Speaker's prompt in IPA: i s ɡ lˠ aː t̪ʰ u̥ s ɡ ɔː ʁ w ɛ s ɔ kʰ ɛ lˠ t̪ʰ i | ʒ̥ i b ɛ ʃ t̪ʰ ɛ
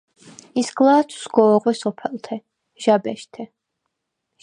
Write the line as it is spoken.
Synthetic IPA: i s ɡ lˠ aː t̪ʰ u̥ s ɡ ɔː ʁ w ɛ s ɔ pʰ ɛ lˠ t̪ʰ ɛ | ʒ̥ a b ɛ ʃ t̪ʰ ɛ